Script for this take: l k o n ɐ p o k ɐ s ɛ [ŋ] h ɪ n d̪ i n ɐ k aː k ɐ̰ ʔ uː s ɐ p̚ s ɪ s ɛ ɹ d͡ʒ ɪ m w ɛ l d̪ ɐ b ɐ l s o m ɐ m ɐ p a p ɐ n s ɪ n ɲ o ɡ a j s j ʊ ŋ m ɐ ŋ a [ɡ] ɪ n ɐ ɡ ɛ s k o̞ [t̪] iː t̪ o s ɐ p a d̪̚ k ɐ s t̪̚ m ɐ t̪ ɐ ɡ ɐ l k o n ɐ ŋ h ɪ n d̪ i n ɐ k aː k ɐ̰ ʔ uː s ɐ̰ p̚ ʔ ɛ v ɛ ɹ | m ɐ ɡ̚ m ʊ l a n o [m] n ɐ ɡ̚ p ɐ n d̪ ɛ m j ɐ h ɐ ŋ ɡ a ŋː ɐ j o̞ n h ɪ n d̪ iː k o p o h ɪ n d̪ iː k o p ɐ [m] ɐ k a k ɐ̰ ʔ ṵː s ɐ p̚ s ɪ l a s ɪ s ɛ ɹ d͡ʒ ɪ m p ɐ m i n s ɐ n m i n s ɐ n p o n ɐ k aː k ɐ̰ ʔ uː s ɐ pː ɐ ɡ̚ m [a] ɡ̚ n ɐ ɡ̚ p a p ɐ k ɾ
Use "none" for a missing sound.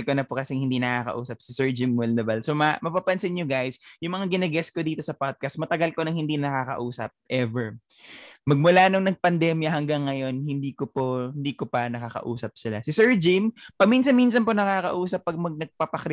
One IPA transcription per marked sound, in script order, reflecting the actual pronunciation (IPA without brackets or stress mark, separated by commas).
ŋ, ɡ, d̪, ŋ, n, ɐ